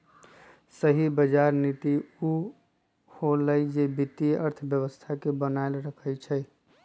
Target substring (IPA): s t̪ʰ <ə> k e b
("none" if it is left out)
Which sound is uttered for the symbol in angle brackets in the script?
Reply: a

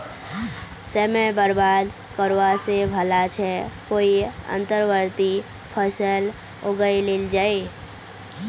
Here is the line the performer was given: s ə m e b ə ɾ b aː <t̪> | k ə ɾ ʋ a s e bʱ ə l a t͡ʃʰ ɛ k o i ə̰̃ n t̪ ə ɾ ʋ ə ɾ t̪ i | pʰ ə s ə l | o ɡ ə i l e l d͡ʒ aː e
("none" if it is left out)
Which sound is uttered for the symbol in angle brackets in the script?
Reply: d̪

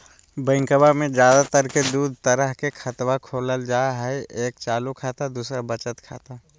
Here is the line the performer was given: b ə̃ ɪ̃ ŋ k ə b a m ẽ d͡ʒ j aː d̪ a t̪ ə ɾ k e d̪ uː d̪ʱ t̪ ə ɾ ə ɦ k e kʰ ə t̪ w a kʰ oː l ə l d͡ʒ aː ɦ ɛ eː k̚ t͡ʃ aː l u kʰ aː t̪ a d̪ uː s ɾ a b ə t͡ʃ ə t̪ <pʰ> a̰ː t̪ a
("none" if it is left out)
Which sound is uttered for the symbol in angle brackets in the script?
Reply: kʰ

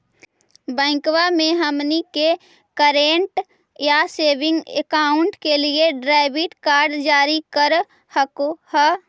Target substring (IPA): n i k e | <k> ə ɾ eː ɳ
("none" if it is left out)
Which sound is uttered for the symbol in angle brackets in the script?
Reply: k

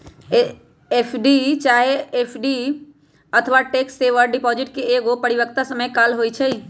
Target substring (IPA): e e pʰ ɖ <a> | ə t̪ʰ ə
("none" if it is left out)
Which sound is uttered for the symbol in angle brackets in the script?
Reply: i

